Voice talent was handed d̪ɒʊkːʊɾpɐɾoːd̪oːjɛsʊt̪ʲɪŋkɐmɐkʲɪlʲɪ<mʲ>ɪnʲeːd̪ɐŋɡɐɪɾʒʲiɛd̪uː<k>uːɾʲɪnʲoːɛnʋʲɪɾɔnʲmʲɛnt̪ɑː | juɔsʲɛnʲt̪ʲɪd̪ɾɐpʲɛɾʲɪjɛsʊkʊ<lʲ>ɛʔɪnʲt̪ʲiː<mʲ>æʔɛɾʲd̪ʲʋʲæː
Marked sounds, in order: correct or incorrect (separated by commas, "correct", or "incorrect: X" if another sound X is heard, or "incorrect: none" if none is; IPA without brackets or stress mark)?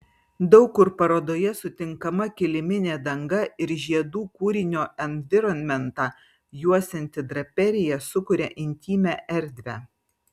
correct, correct, incorrect: ɾʲ, correct